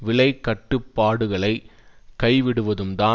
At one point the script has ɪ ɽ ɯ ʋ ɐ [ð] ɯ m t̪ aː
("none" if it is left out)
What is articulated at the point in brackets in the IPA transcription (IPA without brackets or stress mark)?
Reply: ð